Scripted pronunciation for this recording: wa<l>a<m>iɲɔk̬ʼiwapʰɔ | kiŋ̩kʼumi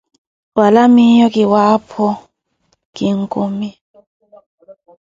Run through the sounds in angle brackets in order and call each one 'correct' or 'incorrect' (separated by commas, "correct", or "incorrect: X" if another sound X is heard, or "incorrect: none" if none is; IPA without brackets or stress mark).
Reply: correct, correct